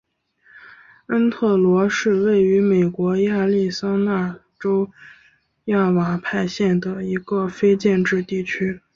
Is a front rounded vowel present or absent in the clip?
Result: present